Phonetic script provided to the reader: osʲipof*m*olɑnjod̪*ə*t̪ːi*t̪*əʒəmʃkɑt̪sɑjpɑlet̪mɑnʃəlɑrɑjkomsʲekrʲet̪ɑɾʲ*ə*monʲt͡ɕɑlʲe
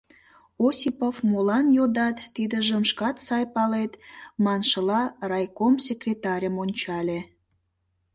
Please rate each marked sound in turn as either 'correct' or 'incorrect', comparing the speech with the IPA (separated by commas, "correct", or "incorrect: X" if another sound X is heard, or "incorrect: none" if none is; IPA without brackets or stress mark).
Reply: correct, incorrect: ɑ, incorrect: d̪, correct